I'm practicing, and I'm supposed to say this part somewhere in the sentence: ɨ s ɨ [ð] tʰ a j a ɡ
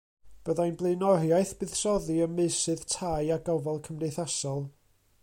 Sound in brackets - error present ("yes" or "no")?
no